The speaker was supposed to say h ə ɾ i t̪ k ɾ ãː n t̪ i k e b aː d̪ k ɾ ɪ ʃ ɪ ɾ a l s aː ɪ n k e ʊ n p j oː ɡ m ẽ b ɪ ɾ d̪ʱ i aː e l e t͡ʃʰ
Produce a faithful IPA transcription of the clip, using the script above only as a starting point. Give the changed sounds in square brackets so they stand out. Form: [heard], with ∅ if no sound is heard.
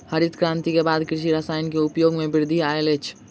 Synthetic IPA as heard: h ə ɾ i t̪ k ɾ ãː n t̪ i k e b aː d̪ k ɾ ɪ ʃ [i] ɾ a [∅] s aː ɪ n k e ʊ [∅] p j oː ɡ m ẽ b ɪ ɾ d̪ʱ i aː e l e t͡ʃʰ